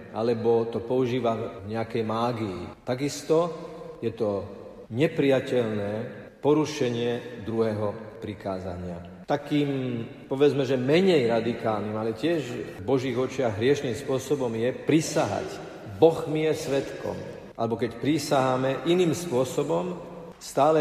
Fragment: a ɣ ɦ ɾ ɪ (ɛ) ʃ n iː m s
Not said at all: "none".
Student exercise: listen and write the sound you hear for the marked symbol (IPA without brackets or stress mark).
ɛ